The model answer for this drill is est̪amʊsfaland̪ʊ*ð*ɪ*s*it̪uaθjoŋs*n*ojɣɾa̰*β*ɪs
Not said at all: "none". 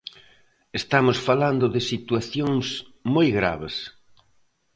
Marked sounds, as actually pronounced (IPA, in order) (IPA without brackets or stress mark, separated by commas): ð, s, m, β